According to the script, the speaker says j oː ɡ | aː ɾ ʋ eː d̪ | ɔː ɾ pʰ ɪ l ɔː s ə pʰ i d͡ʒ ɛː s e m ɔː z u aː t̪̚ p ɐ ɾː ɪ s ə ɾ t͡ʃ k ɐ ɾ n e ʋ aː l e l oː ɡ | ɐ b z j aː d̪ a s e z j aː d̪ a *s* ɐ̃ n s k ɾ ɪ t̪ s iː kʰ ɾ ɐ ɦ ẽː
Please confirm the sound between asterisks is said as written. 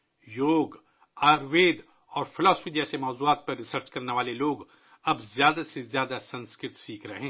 yes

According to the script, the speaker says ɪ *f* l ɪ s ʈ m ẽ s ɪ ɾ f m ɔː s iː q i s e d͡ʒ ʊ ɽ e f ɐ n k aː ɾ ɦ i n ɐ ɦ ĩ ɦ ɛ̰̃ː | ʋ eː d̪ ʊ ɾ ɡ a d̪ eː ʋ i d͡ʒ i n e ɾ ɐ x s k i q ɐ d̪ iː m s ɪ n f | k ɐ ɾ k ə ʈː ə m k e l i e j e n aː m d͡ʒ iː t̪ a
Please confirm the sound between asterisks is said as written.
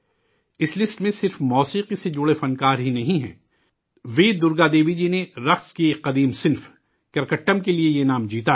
no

